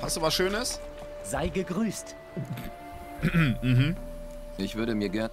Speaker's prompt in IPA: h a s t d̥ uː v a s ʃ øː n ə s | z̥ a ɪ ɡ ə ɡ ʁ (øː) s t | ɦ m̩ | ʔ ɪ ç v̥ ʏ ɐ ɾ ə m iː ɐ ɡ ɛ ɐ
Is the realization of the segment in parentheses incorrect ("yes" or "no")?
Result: yes